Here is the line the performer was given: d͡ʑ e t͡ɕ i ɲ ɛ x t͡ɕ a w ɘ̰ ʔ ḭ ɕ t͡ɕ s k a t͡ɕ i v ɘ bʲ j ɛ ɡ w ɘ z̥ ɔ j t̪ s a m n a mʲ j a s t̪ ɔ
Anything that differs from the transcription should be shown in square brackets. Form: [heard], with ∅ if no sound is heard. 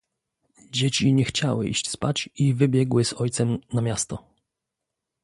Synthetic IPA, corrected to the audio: d͡ʑ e t͡ɕ i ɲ ɛ x t͡ɕ a w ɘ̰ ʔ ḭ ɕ t͡ɕ s [p] a t͡ɕ i v ɘ bʲ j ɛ ɡ w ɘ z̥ ɔ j t̪ s [ɛ] m n a mʲ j a s t̪ ɔ